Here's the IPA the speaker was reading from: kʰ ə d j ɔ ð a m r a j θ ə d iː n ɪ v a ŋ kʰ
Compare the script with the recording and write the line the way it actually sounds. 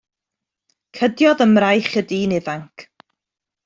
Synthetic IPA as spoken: kʰ ə d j ɔ ð ə m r a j χ ə d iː n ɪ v a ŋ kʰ